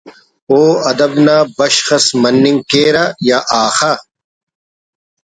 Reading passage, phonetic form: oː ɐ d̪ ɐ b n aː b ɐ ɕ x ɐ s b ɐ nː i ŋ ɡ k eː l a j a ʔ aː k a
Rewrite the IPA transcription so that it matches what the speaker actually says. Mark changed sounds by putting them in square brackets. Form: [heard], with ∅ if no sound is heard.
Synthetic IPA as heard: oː ɐ d̪ ɐ b n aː b ɐ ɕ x ɐ s [m] ɐ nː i ŋ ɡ k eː [ɾ] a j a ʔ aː [x] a